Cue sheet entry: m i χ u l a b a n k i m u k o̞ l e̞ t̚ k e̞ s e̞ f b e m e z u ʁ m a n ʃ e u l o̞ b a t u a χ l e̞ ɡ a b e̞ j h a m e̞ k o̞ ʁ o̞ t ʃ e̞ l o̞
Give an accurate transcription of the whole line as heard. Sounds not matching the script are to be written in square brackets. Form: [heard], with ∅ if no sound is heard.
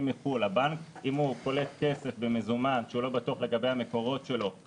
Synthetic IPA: m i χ u l a b a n k i m u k o̞ l e̞ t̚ k e̞ s e̞ f b e m e z u [∅] m a n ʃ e u l o̞ b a t u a χ l e̞ ɡ a b e̞ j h a m e̞ k o̞ ʁ o̞ t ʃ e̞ l o̞

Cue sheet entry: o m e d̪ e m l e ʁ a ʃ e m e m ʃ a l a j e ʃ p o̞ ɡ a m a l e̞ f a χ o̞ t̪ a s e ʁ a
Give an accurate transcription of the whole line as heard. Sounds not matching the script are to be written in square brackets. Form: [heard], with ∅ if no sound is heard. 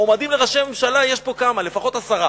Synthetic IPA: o m [a] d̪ [i] m l e ʁ a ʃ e m e m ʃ a l a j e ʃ p o̞ [k] a m a l e̞ f a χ o̞ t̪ a s [a] ʁ a

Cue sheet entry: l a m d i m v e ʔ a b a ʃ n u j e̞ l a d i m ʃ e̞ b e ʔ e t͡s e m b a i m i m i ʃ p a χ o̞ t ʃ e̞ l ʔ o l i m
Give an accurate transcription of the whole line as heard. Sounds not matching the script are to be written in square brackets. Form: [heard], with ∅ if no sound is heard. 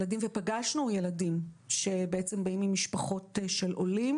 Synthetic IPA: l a [∅] d i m v e [p] a [ɡ] a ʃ n u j e̞ l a d i m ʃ e̞ b e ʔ e t͡s e m b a i m i m i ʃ p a χ o̞ t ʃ e̞ l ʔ o l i m

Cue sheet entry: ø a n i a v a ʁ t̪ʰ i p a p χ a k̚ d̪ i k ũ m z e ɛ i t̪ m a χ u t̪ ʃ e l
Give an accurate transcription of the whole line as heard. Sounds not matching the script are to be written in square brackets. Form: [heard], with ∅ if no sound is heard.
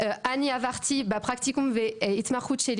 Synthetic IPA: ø a n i a v a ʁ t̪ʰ i [b] a p χ a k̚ [t̪] i k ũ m [v] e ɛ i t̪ m a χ u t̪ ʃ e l

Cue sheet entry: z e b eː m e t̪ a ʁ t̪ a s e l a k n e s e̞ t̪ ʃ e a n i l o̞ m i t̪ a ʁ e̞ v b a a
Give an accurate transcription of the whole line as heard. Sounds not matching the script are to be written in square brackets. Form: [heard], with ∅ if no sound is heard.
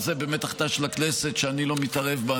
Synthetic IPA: z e b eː m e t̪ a [χ] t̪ a [ʃ] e l a k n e s e̞ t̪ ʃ e a n i l o̞ m i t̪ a ʁ e̞ v b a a

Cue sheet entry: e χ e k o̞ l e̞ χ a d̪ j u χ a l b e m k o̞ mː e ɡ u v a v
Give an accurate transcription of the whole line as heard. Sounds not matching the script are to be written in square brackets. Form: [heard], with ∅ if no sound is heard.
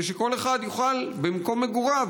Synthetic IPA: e [ʃ] e k o̞ l e̞ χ a d̪ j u χ a l b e m k o̞ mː e ɡ u [ʁ] a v

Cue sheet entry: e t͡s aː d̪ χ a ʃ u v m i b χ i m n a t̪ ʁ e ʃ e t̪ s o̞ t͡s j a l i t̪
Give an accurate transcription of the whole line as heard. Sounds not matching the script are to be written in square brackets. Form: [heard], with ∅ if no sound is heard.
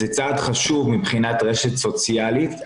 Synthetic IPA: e t͡s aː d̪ χ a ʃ u v m i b χ i [∅] n a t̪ ʁ e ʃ e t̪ s o̞ t͡s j a l i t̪

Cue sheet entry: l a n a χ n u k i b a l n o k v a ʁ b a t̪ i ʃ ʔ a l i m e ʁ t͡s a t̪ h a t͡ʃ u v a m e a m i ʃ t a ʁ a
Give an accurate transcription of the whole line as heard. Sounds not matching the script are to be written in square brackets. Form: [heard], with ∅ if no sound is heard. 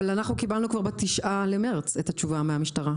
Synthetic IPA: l a n a χ n u k i b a l n [u] k v a ʁ b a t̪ i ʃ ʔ a l [e] m e ʁ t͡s [e] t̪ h a t͡ʃ u v a m e a m i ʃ t a ʁ a

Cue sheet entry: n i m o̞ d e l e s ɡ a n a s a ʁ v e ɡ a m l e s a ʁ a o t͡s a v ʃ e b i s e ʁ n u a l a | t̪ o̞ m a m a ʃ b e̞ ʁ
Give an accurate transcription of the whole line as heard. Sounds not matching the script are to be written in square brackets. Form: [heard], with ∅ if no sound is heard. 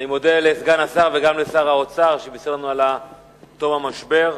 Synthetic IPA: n i m o̞ d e l e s ɡ a n a s a ʁ v e ɡ a m l e s a ʁ a o t͡s a [ʁ] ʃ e b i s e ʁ n u a l a | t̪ o̞ m a m a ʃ b e̞ ʁ

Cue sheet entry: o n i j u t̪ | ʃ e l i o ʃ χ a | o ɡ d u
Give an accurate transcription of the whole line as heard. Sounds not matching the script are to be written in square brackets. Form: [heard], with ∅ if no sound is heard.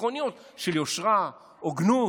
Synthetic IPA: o n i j [o] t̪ | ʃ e l [j] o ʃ [ʁ] a | o ɡ [n] u

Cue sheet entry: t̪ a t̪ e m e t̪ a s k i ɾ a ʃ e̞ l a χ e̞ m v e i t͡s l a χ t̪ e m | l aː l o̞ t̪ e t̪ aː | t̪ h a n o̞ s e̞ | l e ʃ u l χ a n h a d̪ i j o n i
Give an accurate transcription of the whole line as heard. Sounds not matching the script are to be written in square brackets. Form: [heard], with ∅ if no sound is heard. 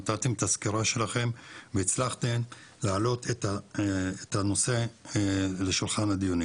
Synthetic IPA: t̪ a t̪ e m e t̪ a s k i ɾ a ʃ e̞ l a χ e̞ m v e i t͡s l a χ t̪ e m | l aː l o̞ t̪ e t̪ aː | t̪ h a n o̞ s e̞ | l e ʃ u l χ a n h a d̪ i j o n i

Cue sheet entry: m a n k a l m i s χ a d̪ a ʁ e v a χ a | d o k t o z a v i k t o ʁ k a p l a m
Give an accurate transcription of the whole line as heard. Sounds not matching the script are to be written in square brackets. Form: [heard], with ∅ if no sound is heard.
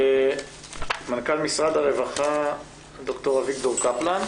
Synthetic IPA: m a n k a l m i s [ʁ] a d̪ a ʁ e v a χ a | d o k t o [ʁ] a v i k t o ʁ k a p l a [n]

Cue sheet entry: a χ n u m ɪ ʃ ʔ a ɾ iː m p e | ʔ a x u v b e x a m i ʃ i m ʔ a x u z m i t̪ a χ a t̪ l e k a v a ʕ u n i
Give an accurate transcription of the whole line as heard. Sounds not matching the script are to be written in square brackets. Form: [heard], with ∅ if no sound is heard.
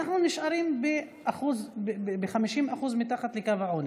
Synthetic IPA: a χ n u [n] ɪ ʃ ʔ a ɾ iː m [b] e | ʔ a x u [z] b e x a m i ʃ i m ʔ a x u z m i t̪ a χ a t̪ l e k a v a ʕ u n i

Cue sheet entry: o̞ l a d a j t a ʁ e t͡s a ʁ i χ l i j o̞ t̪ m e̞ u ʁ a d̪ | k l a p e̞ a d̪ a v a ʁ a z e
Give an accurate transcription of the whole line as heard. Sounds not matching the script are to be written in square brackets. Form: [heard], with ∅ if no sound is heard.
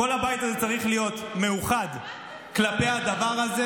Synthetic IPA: o̞ l a [b] a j t a [z] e t͡s a ʁ i χ l i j o̞ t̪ m e̞ u [χ] a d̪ | k l a p e̞ a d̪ a v a ʁ a z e

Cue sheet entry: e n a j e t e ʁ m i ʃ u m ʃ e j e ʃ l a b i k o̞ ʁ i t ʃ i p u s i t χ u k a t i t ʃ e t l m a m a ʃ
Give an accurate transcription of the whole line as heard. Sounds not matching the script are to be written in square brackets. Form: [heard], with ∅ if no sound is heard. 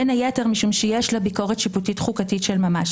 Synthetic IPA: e n a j e t e ʁ m i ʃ u m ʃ e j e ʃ l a b i k o̞ ʁ [e] t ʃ i p u [t] i t χ u k a t i t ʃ e [∅] l m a m a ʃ

